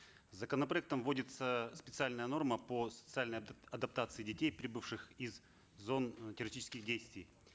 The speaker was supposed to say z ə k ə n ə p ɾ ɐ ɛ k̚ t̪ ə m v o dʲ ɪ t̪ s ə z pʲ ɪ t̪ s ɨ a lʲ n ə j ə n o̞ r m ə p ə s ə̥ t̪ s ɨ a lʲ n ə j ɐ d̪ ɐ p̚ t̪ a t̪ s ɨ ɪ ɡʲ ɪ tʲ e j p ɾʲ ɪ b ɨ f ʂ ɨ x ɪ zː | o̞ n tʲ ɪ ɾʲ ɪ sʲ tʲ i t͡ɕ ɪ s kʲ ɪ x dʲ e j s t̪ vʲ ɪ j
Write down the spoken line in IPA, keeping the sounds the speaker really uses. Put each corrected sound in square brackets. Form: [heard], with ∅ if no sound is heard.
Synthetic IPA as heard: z ə k ə n ə p ɾ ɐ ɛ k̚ t̪ ə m v o dʲ ɪ t̪ s ə [s] pʲ ɪ t̪ s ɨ a lʲ n ə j ə n o̞ r m ə p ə s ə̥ t̪ s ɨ a lʲ n ə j ɐ d̪ ɐ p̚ t̪ a t̪ s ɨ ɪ [dʲ] ɪ tʲ e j p ɾʲ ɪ b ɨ f ʂ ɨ x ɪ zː | o̞ n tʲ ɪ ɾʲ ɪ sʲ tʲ i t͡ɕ ɪ s kʲ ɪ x dʲ e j s t̪ vʲ ɪ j